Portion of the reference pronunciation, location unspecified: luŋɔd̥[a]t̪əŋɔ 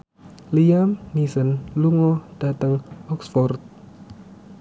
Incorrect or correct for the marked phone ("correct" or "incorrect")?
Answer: correct